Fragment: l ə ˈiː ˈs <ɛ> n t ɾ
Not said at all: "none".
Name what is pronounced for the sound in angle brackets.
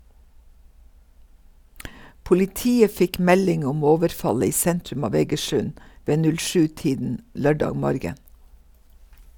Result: ɛ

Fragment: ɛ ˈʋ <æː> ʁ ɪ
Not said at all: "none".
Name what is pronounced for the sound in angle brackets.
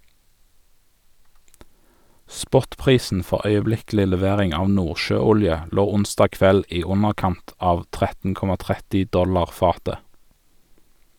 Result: eː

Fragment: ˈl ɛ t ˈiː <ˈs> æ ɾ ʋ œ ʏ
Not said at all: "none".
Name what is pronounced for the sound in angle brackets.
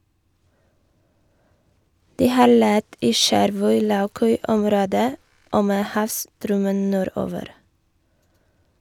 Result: ʃ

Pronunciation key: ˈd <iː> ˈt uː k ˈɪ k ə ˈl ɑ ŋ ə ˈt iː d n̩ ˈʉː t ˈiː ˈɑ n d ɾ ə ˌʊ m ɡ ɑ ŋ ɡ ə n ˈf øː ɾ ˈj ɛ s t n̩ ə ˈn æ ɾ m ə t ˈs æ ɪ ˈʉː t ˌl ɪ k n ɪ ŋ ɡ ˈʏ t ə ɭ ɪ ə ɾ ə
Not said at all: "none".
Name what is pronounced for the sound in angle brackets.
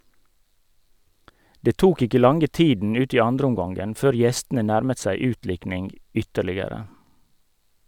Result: eː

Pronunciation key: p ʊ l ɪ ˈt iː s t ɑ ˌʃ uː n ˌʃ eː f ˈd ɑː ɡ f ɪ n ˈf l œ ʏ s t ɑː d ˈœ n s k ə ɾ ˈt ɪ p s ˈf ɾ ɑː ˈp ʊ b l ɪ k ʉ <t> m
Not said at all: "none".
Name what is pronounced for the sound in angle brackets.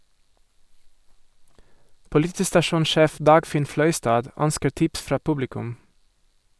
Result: none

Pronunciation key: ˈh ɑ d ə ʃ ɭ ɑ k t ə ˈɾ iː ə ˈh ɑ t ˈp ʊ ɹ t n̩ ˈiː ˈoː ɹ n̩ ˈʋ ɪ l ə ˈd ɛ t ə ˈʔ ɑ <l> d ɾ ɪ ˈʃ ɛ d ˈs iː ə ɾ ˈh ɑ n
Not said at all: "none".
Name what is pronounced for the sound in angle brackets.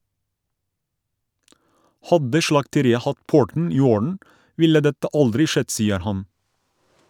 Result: l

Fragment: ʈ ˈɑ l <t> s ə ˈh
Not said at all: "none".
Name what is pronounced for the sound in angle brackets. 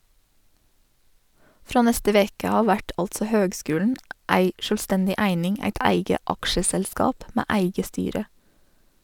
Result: t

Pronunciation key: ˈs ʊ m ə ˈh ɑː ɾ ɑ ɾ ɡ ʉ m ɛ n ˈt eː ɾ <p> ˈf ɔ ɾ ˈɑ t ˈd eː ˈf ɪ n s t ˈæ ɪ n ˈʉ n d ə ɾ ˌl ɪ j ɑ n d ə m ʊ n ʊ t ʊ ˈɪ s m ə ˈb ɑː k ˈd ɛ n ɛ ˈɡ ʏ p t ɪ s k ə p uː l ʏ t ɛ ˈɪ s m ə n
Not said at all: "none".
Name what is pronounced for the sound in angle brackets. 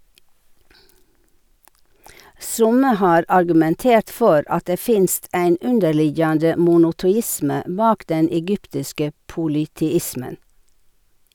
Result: t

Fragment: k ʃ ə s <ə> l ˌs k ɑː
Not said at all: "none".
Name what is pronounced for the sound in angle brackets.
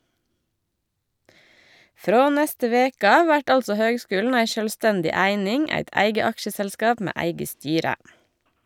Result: ə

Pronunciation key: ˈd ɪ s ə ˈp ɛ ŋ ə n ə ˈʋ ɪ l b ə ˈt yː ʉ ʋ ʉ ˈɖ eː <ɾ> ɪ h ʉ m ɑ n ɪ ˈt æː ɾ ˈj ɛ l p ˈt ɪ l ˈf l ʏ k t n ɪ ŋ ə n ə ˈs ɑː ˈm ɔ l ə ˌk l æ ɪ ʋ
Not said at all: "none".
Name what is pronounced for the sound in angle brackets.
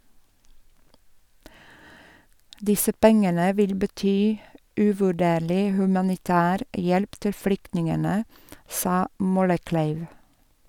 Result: ɭ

